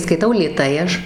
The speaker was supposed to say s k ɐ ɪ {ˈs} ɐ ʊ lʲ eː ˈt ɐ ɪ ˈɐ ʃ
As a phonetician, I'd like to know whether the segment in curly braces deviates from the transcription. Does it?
yes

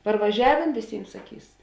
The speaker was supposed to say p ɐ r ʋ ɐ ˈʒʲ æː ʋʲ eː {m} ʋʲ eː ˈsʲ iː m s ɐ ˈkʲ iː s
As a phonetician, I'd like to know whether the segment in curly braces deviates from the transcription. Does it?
yes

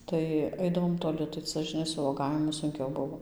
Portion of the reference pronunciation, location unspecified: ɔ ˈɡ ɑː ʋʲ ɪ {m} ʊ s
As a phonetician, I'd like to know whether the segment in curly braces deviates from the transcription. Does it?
no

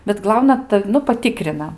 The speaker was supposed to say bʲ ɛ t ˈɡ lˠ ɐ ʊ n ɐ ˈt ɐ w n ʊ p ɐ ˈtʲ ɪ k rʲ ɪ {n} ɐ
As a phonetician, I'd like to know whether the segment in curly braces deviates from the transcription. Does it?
no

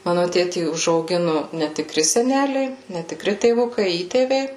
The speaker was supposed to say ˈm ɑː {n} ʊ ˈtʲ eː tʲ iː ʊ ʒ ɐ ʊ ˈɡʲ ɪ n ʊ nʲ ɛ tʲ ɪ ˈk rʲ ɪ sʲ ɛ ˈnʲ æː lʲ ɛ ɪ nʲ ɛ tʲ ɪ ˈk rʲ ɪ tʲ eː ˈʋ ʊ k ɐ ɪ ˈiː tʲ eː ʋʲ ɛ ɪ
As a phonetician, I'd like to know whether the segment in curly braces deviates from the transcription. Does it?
no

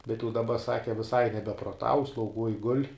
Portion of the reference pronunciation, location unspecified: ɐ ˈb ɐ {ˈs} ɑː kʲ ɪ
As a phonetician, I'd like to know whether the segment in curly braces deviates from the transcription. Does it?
no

